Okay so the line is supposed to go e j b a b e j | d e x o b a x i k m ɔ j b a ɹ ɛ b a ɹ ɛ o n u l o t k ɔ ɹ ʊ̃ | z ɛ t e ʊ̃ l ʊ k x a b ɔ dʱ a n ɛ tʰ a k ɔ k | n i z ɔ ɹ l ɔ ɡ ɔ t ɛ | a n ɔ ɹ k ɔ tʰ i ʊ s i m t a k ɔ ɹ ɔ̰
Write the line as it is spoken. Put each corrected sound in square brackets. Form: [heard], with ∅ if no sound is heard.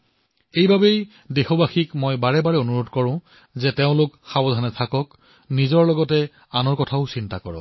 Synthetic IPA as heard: e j b a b e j | d e x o b a x i k m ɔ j b a ɹ ɛ b a ɹ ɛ o n u [ɹ] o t k ɔ ɹ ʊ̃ | z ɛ t e ʊ̃ l ʊ k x a b ɔ dʱ a n ɛ tʰ a k ɔ k | n i z ɔ ɹ l ɔ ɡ ɔ t ɛ | a n ɔ ɹ k ɔ tʰ [a] ʊ s i [n] t a k ɔ ɹ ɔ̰